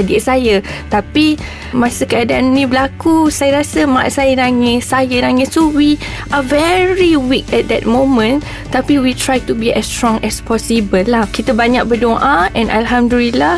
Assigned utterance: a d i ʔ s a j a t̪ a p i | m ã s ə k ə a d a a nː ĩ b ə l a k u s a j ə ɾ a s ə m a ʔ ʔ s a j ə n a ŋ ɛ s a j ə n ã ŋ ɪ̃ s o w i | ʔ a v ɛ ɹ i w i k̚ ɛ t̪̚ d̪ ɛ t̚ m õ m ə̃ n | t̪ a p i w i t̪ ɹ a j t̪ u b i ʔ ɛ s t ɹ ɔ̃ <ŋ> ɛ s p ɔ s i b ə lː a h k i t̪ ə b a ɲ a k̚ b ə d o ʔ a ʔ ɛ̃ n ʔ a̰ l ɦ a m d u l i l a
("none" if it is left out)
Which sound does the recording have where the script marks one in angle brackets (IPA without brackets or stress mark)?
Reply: ŋ